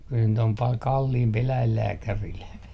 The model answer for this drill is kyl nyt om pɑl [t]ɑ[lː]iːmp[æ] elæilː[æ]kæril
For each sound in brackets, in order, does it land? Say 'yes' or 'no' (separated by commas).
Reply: no, yes, no, no